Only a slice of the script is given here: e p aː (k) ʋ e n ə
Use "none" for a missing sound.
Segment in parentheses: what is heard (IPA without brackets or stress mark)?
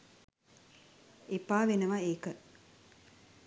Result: none